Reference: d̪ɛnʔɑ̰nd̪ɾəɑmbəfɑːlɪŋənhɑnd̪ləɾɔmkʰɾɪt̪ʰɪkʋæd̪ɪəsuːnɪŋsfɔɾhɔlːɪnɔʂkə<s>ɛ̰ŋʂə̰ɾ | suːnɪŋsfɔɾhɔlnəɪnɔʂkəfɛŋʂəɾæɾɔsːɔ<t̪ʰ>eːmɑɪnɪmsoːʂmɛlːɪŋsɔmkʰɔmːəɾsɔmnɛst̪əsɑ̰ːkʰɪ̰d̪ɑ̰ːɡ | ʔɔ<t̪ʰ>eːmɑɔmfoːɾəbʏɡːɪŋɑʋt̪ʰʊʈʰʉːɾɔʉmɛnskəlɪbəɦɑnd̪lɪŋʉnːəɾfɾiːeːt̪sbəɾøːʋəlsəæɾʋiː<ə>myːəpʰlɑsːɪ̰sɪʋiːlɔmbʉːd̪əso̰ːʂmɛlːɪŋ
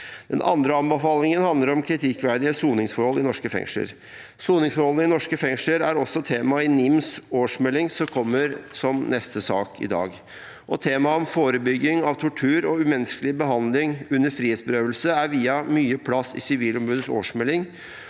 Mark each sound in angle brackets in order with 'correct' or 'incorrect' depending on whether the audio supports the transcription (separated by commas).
incorrect, correct, correct, incorrect